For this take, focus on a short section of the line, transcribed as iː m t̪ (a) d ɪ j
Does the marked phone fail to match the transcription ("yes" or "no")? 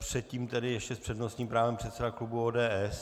yes